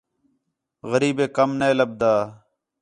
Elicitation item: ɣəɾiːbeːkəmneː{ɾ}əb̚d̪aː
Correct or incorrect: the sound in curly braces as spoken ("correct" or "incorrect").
incorrect